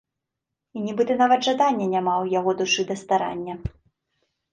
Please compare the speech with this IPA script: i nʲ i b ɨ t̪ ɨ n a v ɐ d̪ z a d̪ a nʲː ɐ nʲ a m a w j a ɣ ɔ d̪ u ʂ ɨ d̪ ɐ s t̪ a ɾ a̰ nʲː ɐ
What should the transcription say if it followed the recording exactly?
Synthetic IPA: i nʲ i b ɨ t̪ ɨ n a v ɐ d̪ ʐ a d̪ a nʲː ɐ nʲ a m a w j a ɣ ɔ d̪ u ʂ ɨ d̪ ɐ s t̪ a ɾ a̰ nʲː ɐ